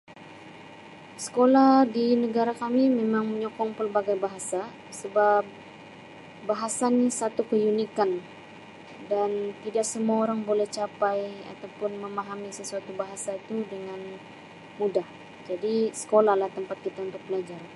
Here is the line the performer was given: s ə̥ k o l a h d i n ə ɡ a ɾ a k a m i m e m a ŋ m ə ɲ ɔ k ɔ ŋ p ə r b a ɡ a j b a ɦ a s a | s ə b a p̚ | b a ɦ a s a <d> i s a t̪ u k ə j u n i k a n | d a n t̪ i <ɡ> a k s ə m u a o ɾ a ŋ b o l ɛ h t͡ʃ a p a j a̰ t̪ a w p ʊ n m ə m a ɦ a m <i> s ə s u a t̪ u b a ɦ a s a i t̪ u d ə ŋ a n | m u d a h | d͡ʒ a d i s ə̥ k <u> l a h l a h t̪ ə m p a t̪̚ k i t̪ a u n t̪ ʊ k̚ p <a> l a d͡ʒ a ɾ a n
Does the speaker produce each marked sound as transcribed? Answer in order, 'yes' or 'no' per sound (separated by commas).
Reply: no, no, yes, no, no